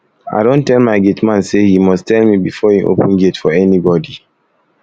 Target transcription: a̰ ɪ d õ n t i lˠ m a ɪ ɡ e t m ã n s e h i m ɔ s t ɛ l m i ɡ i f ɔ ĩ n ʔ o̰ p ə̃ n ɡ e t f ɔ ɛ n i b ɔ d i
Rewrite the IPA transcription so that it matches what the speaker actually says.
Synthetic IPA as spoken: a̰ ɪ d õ n t ɛ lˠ m a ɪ ɡ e t m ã n s e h i m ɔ s t ɛ l m i b i f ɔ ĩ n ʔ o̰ p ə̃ n ɡ e t f ɔ ɛ n i b ɔ d i